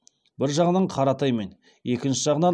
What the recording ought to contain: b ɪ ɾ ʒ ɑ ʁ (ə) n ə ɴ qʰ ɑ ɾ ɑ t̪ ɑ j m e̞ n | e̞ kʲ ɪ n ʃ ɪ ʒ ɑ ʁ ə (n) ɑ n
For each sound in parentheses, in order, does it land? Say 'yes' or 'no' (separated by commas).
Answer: yes, yes